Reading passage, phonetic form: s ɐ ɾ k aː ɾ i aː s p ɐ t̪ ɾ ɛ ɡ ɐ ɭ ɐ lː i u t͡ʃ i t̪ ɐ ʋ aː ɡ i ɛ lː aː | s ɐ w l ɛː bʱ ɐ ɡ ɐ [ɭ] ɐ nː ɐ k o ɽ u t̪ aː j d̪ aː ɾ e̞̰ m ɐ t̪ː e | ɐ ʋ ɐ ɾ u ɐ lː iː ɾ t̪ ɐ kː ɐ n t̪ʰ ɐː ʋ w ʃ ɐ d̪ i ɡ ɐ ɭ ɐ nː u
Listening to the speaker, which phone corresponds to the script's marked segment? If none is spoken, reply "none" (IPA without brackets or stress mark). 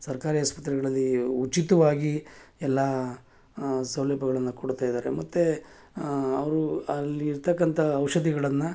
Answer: ɭ